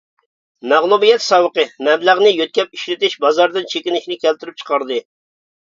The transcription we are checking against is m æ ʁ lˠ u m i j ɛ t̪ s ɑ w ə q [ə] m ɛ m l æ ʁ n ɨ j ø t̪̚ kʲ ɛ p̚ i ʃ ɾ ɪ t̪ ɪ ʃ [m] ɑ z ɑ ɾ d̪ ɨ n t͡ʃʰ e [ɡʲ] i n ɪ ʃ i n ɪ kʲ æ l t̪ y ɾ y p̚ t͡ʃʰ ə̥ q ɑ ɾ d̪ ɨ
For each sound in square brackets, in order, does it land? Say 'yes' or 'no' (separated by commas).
yes, no, no